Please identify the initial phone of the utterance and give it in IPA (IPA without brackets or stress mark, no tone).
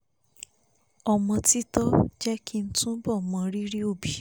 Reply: ɔ